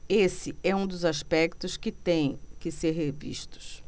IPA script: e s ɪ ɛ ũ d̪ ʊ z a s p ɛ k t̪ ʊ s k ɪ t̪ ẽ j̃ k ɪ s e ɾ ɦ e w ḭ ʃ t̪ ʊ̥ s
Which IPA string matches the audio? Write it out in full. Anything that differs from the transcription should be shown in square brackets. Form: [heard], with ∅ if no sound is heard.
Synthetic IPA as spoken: e s ɪ ɛ ũ d̪ ʊ z a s p ɛ k t̪ ʊ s k ɪ t̪ ẽ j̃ k ɪ s e ɾ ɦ e [v] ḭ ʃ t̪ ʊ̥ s